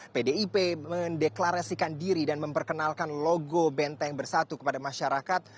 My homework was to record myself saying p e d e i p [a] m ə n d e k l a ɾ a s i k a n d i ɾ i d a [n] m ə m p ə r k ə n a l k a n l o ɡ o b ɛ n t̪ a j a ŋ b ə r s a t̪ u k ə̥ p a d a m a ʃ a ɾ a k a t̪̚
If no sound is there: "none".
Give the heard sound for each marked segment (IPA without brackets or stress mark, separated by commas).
e, n